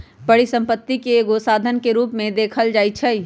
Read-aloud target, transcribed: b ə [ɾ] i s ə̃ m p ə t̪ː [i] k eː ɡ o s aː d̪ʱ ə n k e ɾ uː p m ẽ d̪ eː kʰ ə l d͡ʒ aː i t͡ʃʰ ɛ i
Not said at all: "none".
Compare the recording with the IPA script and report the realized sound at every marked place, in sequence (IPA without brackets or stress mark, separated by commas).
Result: ɽ, i